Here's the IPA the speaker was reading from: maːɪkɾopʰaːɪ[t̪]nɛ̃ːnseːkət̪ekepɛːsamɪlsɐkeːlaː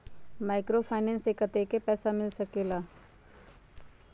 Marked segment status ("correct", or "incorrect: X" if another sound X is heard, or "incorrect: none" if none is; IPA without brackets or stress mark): incorrect: none